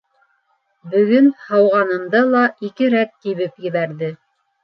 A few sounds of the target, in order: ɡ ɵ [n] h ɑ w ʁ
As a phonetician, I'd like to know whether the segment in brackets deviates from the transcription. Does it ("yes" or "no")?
no